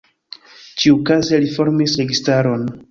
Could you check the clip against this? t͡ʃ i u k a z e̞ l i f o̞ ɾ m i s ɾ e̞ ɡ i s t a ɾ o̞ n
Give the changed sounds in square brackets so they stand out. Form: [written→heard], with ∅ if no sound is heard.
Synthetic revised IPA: t͡ʃ i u k a z e̞ l i f o̞ ɾ m i s ɾ e̞ ɡ i s t a ɾ o̞ n